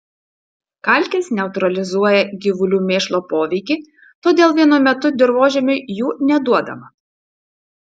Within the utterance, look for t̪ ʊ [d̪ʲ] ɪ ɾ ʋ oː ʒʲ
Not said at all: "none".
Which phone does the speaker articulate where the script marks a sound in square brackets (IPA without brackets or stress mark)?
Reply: d̪ʲ